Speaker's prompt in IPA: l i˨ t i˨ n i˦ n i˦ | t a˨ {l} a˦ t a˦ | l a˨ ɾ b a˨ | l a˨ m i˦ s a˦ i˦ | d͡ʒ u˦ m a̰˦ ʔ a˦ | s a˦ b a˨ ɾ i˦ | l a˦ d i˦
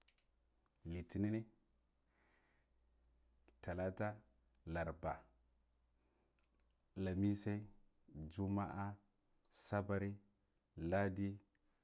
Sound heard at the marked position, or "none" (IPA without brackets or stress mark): l